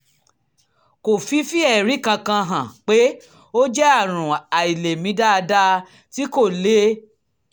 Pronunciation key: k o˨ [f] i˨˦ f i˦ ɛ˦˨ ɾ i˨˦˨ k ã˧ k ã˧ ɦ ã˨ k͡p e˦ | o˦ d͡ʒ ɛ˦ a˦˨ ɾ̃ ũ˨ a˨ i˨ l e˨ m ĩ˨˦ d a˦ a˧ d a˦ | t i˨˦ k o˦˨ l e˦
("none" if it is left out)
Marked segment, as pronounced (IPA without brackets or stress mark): f